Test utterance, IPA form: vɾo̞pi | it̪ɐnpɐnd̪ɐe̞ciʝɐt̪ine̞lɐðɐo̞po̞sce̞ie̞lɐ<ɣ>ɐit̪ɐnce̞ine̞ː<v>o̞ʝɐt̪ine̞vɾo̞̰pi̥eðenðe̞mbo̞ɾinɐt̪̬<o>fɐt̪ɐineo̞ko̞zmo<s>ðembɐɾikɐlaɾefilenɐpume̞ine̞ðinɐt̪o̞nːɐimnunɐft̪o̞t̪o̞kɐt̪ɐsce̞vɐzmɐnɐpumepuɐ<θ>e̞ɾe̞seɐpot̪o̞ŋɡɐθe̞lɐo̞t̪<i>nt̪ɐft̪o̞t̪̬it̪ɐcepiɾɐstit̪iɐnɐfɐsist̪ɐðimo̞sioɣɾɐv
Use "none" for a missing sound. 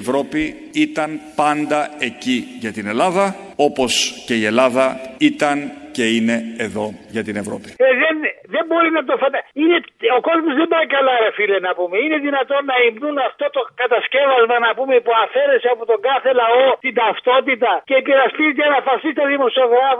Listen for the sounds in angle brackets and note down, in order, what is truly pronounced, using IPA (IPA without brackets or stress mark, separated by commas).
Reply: ð, ð, o, z, f, i